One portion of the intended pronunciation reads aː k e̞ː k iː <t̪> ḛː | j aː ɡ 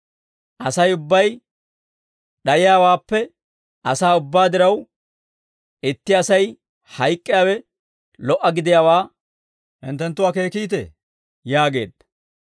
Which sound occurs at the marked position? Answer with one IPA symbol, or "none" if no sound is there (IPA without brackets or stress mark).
t̪